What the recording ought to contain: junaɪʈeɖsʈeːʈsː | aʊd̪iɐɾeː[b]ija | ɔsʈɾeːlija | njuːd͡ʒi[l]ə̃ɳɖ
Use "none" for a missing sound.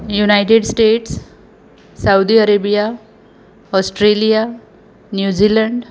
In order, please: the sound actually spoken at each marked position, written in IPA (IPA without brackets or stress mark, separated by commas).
b, l